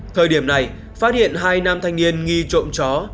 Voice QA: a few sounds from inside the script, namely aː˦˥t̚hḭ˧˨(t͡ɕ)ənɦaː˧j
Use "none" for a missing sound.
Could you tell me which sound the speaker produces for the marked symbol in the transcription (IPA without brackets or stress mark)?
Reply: none